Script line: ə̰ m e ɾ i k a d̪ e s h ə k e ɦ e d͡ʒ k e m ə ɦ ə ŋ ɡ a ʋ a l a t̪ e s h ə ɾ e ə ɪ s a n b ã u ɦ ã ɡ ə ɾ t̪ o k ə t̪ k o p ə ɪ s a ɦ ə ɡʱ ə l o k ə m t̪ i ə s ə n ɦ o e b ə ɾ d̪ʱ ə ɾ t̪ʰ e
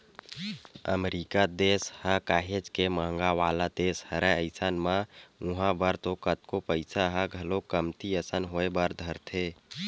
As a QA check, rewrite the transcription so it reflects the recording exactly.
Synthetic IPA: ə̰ m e ɾ i k a d̪ e s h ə k a ɦ e d͡ʒ k e m ə ɦ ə ŋ ɡ a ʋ a l a d̪ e s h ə ɾ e ə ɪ s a n m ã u ɦ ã b ə ɾ t̪ o k ə t̪ k o p ə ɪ s a ɦ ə ɡʱ ə l o k ə m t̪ i ə s ə n ɦ o e b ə ɾ d̪ʱ ə ɾ t̪ʰ e